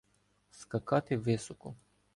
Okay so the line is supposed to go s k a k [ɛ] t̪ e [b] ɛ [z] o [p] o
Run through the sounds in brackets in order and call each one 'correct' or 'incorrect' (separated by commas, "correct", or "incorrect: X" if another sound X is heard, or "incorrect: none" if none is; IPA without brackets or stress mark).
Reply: incorrect: a, incorrect: v, incorrect: s, incorrect: k